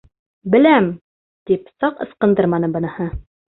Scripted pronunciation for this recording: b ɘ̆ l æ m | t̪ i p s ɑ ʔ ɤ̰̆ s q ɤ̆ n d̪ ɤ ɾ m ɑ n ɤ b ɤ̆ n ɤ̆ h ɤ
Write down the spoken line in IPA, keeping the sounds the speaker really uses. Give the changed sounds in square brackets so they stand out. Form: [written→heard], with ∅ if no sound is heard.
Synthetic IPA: b ɘ̆ l æ m | t̪ i p s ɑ [ʔ→q] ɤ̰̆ s q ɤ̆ n d̪ ɤ ɾ m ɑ n ɤ b ɤ̆ n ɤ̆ h ɤ